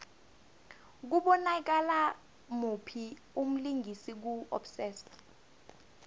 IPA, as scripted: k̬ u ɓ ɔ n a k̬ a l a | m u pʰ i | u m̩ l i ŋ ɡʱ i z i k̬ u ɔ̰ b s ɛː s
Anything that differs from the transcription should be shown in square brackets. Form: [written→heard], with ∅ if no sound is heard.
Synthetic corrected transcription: k̬ u ɓ ɔ n a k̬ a l a | m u pʰ i | u m̩ l i ŋ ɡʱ i [z→s] i k̬ u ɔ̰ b s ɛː s